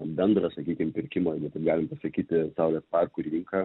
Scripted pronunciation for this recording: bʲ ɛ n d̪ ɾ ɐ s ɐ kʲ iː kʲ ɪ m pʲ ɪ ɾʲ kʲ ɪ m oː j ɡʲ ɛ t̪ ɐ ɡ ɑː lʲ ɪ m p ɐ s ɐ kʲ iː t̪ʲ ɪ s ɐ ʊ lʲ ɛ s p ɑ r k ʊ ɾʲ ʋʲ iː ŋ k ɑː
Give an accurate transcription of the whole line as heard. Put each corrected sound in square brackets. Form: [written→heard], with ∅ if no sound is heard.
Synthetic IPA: bʲ ɛ n d̪ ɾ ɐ s ɐ kʲ iː kʲ ɪ m pʲ ɪ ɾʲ kʲ ɪ m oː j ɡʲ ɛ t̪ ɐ ɡ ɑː lʲ ɪ m p ɐ s ɐ kʲ iː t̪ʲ ɪ s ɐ ʊ lʲ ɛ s p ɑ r k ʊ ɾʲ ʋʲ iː ŋ k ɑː